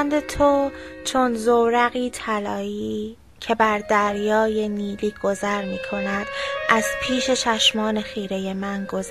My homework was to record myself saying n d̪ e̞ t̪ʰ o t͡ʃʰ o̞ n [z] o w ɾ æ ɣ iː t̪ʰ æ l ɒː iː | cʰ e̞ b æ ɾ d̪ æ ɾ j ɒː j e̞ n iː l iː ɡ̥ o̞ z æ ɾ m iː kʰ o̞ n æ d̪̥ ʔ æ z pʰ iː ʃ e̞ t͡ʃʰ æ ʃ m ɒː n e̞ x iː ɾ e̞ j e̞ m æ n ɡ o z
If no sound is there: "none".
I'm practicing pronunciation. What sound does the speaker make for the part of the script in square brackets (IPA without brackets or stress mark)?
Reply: z